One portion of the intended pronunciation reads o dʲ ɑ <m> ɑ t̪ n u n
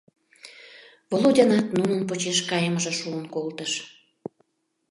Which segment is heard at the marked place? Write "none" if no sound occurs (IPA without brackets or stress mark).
n